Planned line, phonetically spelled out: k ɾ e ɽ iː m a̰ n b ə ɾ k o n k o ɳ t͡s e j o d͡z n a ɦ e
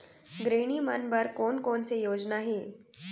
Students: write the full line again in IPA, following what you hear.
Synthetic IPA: ɡ ɾ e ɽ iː m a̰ n b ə ɾ k o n k o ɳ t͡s e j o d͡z n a ɦ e

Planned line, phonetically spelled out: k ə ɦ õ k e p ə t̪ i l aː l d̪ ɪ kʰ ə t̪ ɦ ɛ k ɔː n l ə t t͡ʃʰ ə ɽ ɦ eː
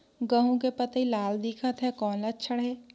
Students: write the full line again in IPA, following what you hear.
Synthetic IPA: ɡ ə ɦ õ k e p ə t̪ i l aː l d̪ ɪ kʰ ə t̪ ɦ ɛ k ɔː n l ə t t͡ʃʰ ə ɽ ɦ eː

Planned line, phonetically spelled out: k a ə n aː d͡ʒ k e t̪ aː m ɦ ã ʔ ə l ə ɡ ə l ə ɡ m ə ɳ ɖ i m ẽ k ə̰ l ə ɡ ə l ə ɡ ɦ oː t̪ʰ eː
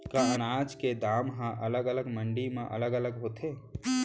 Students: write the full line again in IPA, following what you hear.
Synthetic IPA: k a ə n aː d͡ʒ k e d̪ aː m ɦ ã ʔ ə l ə ɡ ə l ə ɡ m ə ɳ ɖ i m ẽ ʔ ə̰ l ə ɡ ə l ə ɡ ɦ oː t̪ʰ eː

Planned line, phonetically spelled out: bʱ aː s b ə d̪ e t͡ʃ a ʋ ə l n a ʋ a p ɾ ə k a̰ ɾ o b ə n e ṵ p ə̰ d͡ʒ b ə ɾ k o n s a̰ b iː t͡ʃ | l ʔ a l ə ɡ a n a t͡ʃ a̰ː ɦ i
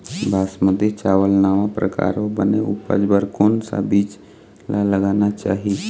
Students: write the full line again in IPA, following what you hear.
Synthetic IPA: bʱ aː s m ə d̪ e t͡ʃ a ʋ ə l n a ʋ a p ɾ ə k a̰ ɾ o b ə n e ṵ p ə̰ d͡ʒ b ə ɾ k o n s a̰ b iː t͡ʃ | l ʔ a l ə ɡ a n a t͡ʃ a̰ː ɦ i

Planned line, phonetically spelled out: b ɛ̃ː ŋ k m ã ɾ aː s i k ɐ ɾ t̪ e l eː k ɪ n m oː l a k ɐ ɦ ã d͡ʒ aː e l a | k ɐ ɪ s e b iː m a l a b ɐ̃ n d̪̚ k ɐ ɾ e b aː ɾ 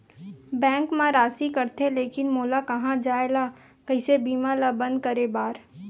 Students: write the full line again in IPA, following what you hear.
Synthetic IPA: b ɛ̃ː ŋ k m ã ɾ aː s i k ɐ ɾ t̪ e l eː k ɪ n m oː l a k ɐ ɦ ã d͡ʒ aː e l a | k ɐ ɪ s e b iː m a l a b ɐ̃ n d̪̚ k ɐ ɾ e b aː ɾ

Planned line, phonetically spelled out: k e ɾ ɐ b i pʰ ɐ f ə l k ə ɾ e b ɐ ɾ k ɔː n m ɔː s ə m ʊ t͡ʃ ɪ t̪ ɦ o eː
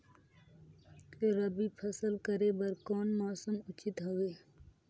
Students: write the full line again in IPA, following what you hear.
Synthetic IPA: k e ɾ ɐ b i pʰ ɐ s ə l k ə ɾ e b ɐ ɾ k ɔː n m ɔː s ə m ʊ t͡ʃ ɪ t̪ ɦ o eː

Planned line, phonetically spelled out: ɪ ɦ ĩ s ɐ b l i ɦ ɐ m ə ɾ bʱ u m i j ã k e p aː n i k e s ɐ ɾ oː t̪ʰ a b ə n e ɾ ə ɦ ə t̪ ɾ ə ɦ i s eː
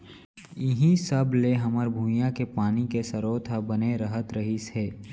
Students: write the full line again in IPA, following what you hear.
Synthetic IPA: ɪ ɦ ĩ s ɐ b l e ɦ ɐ m ə ɾ bʱ u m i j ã k e p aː n i k e s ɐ ɾ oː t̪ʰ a b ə n e ɾ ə ɦ ə t̪ ɾ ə ɦ i s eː

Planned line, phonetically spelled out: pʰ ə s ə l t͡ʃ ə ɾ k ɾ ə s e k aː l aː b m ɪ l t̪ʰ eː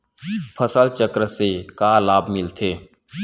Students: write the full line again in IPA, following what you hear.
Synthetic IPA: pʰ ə s ə l t͡ʃ ə k ɾ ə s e k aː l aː b m ɪ l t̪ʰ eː

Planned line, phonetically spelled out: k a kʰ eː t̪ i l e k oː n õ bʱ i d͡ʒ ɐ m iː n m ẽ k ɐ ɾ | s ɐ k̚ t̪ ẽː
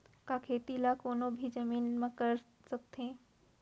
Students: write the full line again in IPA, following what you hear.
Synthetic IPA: k a kʰ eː t̪ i l a k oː n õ bʱ i d͡ʒ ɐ m iː n m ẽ k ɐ ɾ | s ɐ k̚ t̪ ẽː

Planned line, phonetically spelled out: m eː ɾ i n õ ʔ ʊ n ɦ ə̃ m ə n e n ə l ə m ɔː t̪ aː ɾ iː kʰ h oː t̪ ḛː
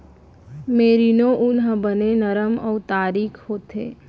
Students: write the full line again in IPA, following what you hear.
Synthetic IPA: m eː ɾ i n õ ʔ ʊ n ɦ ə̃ b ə n e n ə ɾ ə m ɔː t̪ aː ɾ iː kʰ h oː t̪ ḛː

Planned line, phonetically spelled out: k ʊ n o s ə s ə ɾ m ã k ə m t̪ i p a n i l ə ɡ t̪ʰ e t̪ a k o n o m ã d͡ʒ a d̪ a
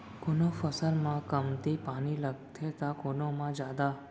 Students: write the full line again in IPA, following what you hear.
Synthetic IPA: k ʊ n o f ə s ə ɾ m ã k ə m t̪ i p a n i l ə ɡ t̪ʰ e t̪ a k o n o m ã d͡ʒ a d̪ a

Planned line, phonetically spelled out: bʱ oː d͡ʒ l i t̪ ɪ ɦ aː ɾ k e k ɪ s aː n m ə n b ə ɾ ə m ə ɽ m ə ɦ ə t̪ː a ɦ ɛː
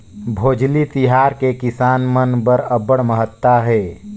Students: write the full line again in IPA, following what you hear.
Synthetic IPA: bʱ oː d͡ʒ l i t̪ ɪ ɦ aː ɾ k e k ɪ s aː n m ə n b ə ɾ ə b ə ɽ m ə ɦ ə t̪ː a ɦ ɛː

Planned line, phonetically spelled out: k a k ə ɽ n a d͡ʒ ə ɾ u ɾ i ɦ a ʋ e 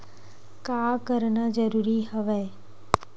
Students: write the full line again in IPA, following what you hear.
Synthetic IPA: k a k ə ɾ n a d͡ʒ ə ɾ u ɾ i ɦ ə ʋ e

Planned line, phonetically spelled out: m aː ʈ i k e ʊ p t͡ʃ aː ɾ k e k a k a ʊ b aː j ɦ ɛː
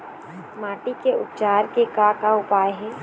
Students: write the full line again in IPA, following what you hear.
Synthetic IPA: m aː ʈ i k e ʊ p t͡ʃ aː ɾ k e k a k a ʊ p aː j ɦ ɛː

